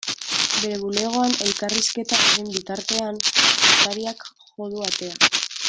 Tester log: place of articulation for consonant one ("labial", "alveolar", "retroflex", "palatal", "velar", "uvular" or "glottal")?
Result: labial